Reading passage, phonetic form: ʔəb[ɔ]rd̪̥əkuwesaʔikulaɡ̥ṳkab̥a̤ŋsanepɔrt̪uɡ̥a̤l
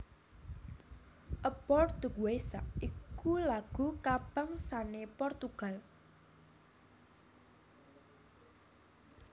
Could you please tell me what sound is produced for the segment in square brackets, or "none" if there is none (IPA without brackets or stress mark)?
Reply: ɔ